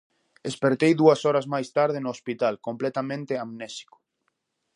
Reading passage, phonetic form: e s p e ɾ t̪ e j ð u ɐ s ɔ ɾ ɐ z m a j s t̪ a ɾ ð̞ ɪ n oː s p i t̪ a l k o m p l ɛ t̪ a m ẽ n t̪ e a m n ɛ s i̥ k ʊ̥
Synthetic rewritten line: e s p e ɾ t̪ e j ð u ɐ s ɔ ɾ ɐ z m a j s t̪ a ɾ ð̞ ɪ n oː s p i t̪ a l k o m p l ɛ t̪ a m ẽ n t̪ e a m n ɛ s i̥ k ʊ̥